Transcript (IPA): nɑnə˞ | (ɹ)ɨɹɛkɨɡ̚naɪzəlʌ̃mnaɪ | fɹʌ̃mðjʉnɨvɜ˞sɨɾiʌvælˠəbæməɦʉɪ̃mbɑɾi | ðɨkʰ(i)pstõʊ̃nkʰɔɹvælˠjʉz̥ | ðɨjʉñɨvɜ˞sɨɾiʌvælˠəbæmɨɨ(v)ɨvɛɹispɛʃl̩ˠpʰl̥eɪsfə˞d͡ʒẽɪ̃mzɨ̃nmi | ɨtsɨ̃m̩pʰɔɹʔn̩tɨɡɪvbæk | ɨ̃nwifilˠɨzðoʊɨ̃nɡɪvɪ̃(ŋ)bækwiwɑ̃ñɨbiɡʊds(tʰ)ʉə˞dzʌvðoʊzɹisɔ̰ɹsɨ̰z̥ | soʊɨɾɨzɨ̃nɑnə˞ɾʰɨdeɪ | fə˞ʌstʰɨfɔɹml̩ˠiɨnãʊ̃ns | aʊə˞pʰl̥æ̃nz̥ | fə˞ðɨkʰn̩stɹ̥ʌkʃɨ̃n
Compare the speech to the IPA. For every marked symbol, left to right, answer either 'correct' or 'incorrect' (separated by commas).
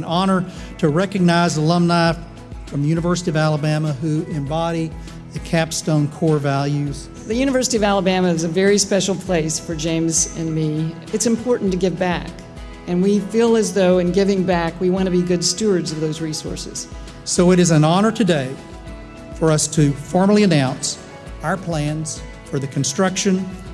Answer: incorrect, incorrect, incorrect, correct, incorrect